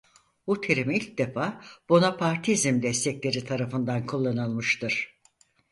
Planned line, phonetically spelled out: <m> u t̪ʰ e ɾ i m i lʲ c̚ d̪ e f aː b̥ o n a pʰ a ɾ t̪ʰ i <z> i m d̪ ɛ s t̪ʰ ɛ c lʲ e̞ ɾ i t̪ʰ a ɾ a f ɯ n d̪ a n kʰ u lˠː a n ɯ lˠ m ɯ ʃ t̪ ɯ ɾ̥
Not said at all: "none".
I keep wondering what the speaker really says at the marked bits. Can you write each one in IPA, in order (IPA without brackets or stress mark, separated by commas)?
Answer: b, z